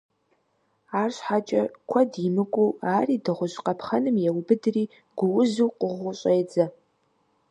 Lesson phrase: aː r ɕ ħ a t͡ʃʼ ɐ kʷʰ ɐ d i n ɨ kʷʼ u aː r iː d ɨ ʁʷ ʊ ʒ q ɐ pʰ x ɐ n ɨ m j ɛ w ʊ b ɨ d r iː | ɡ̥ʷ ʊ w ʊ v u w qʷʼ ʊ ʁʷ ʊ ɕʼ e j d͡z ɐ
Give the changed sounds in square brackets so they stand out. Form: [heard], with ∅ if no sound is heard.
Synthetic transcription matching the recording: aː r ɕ ħ a t͡ʃʼ ɐ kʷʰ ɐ d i [m] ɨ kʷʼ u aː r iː d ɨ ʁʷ ʊ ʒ q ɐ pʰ [χ] ɐ n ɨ m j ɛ w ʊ b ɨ d r iː | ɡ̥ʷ ʊ w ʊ [z] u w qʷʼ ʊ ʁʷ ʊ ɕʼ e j d͡z ɐ